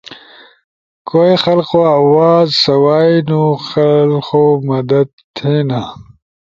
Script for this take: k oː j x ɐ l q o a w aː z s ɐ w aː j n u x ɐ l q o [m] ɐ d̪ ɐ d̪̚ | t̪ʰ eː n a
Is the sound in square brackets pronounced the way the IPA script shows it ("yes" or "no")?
yes